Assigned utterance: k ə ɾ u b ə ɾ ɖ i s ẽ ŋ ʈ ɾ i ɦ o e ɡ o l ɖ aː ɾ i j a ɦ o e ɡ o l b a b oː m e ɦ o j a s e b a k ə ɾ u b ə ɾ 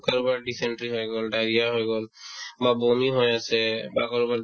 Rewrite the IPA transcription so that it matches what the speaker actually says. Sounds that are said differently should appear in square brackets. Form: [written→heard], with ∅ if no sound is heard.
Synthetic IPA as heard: k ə ɾ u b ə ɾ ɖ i s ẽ [ŋ→ɳ] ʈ ɾ i ɦ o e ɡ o l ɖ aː ɾ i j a ɦ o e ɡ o l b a b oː m [e→i] ɦ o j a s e b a k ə ɾ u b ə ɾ

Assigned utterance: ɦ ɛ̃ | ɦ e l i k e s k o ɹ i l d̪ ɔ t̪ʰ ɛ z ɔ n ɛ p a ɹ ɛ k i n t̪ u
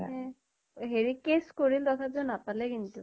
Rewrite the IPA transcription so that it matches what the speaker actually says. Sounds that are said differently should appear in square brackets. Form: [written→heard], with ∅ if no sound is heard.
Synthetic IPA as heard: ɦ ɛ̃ | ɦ e [l→ɹ] i k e s k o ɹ i l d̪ ɔ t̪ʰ [ɛ→a] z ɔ n [ɛ→a] p a [ɹ→l] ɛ k i n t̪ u

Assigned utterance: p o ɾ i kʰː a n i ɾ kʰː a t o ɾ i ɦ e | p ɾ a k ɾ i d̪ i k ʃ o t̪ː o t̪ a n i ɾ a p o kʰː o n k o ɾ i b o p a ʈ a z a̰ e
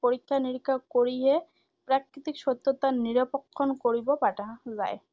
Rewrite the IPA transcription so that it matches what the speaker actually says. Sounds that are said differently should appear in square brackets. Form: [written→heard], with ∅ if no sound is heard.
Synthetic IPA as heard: p o ɾ i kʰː a n i ɾ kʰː a [t→k] o ɾ i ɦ e | p ɾ a k ɾ i [d̪→t̪] i k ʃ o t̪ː o t̪ a n i ɾ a p o kʰː o n k o ɾ i b o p a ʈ a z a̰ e

